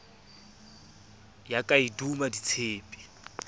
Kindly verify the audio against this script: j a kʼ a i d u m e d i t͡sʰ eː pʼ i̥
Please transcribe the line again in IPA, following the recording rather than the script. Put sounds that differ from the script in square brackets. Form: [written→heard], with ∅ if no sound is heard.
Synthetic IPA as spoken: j a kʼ a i d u m [e→a] d i t͡sʰ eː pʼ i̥